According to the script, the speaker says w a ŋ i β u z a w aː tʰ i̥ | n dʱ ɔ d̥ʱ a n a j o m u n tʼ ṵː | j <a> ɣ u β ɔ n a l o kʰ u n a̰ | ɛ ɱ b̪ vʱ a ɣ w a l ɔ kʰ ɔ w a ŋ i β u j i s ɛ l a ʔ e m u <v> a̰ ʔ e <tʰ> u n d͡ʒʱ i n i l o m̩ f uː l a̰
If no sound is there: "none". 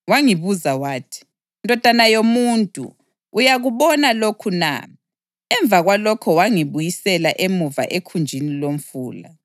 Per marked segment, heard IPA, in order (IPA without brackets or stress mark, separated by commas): a, v, kʰ